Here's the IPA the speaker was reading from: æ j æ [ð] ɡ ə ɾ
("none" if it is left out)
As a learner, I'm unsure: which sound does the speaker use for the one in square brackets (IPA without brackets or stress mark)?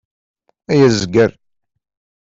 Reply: z